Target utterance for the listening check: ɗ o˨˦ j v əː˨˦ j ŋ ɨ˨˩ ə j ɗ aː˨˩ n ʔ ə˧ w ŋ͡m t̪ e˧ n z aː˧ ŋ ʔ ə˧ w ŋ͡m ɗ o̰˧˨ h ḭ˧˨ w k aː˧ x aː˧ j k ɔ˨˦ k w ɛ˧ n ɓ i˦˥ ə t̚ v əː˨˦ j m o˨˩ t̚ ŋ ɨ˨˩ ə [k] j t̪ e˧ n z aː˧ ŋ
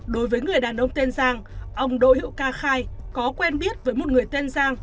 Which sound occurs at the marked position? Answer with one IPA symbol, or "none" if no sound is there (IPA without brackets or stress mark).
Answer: none